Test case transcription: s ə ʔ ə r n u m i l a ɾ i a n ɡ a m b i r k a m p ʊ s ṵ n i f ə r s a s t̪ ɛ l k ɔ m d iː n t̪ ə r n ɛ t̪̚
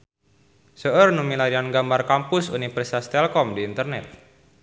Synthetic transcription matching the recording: s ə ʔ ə r n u m i l a ɾ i a n ɡ a m b a r k a m p ʊ s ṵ n i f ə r s a s t̪ ɛ l k ɔ m d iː n t̪ ə r n ɛ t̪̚